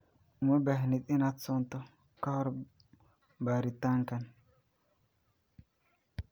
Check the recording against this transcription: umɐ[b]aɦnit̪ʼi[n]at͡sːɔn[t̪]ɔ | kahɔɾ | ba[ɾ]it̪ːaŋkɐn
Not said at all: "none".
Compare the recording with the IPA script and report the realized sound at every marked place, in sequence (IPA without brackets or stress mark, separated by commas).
b, n, t̪, ɾ